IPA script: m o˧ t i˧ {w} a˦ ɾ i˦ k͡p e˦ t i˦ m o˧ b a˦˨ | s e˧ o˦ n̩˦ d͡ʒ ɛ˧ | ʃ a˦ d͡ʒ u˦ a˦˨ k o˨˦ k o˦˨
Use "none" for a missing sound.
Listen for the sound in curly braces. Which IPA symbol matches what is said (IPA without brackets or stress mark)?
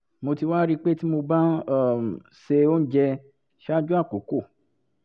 w